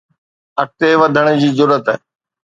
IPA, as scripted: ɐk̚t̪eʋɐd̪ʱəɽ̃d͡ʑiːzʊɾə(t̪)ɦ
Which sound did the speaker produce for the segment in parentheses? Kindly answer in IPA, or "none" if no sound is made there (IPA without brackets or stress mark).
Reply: t̪